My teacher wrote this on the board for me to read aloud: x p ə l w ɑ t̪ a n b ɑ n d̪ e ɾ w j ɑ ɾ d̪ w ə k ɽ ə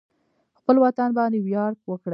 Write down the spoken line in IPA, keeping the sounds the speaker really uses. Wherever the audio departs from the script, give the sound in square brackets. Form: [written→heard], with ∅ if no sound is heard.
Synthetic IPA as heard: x p ə l w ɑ t̪ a n b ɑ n d̪ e [ɾ→∅] w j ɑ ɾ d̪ w ə k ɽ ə